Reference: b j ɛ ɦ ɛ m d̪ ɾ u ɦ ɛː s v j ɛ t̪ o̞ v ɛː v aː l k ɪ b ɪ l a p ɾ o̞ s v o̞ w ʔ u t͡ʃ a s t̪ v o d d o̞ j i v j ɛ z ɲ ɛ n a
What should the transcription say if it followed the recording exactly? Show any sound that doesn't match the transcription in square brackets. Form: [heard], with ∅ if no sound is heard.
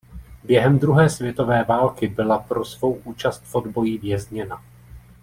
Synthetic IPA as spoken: b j ɛ ɦ ɛ m d̪ ɾ u ɦ ɛː s v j ɛ t̪ o̞ v ɛː v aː l k ɪ b ɪ l a p ɾ o̞ s v o̞ w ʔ [uː] t͡ʃ a s t̪ [f] o d [b] o̞ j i v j ɛ z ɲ ɛ n a